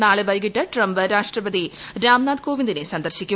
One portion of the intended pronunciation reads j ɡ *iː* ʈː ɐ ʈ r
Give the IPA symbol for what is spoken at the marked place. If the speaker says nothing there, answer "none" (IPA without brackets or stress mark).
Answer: i